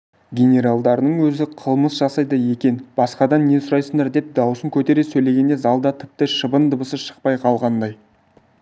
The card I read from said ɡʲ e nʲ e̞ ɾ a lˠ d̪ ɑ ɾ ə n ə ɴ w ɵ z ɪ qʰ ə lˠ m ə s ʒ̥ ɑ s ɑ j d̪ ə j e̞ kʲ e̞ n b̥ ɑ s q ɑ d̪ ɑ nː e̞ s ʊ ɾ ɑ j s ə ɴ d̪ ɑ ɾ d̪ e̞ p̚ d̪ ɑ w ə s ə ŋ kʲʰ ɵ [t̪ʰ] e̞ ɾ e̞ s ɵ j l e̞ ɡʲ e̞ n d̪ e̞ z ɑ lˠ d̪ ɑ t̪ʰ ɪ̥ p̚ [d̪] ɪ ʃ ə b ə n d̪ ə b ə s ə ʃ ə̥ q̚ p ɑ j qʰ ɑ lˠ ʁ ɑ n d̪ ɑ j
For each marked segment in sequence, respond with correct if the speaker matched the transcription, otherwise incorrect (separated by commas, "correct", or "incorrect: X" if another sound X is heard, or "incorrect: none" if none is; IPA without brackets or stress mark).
incorrect: t̪, incorrect: t̪